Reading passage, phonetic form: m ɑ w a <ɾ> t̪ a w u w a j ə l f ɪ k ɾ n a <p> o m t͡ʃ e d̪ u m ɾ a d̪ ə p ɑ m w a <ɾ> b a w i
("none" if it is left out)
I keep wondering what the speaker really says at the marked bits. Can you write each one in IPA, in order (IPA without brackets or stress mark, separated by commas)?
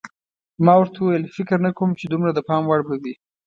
ɾ, k, ɽ